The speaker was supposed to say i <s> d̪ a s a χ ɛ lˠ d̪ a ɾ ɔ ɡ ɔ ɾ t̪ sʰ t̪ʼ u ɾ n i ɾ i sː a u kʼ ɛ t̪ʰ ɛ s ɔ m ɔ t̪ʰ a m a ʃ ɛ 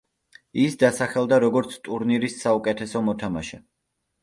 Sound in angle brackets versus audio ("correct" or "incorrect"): correct